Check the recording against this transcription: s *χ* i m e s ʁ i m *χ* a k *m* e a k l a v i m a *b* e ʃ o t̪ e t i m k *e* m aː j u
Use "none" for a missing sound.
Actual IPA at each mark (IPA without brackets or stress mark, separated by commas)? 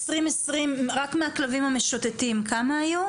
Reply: ʁ, ʁ, m, m, a